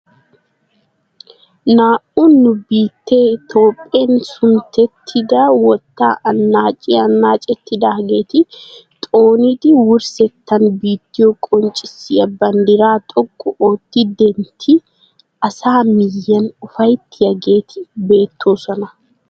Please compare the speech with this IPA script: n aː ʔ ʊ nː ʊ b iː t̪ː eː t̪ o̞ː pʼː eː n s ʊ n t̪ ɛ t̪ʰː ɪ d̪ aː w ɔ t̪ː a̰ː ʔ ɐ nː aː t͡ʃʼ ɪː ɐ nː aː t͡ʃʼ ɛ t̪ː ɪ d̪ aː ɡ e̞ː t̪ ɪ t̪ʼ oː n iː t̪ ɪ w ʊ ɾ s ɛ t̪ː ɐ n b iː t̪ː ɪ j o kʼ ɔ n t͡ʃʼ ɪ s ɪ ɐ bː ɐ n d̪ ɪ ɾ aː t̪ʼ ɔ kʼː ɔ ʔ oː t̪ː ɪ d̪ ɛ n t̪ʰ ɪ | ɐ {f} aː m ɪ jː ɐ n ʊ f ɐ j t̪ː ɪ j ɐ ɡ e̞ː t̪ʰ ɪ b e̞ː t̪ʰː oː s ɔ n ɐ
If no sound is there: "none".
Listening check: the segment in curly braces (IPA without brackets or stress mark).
s